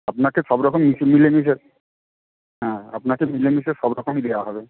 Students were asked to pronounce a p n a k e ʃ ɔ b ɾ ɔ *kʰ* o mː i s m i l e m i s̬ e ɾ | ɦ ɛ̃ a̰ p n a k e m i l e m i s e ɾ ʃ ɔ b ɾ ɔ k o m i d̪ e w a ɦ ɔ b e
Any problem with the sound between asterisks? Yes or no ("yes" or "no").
yes